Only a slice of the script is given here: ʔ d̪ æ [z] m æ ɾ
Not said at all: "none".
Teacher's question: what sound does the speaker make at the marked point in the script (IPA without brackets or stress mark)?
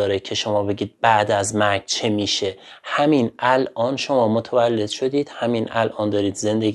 z